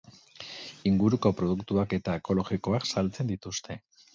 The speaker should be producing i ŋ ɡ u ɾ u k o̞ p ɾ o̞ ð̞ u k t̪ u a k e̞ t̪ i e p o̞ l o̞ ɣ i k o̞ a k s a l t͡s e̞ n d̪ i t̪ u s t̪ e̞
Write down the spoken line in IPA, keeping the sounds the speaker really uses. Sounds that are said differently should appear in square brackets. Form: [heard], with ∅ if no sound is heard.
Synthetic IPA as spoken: i ŋ ɡ u ɾ u k o̞ p ɾ o̞ ð̞ u k t̪ u a k e̞ t̪ [a] e [k] o̞ l o̞ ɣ i k o̞ a k s a l t͡s e̞ n d̪ i t̪ u s t̪ e̞